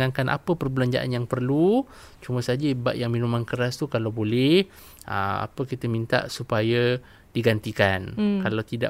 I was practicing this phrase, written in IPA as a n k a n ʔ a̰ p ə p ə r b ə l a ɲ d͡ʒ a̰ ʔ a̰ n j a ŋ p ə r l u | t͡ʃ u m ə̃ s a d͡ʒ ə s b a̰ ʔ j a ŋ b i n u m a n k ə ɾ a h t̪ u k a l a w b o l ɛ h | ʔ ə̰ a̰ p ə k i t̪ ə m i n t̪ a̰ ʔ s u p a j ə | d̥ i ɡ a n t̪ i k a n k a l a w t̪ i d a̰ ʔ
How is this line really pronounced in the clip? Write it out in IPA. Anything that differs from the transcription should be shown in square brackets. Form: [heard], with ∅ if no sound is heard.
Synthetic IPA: a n k a n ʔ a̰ p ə p ə r b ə l a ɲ d͡ʒ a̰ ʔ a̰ n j a ŋ p ə r l u | t͡ʃ u m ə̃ s a d͡ʒ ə [∅] b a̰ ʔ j a ŋ [m] i n u m a n k ə ɾ a [s] t̪ u k a l a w b o l ɛ h | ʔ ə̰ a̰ p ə k i t̪ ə m i n t̪ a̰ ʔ s u p a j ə | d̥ i ɡ a n t̪ i k a n k a l a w t̪ i d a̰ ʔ